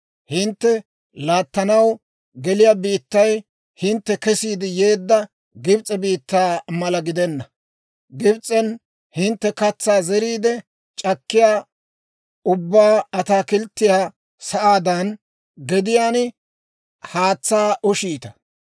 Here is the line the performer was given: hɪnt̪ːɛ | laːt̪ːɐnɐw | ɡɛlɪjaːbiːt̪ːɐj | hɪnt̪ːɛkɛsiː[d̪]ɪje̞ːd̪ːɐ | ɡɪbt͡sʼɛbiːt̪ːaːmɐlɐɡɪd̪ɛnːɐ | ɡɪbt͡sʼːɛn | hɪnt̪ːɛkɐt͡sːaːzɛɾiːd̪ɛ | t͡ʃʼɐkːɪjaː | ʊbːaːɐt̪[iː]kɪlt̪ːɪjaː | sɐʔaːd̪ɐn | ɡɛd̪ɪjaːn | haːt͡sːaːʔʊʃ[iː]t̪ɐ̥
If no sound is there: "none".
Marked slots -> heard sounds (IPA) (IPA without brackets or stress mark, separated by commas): d̪, aː, iː